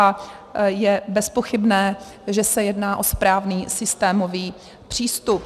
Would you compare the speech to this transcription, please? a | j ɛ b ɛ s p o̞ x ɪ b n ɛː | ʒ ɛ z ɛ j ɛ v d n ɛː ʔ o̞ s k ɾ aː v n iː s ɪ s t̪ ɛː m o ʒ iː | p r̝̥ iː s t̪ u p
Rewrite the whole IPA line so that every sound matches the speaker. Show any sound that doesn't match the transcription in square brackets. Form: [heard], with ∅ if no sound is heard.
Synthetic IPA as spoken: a | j ɛ b ɛ s p o̞ x ɪ b n ɛː | ʒ ɛ [s] ɛ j ɛ [∅] d n [aː] ʔ o̞ s [p] ɾ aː v n iː s ɪ s t̪ ɛː m o [v] iː | p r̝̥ iː s t̪ u p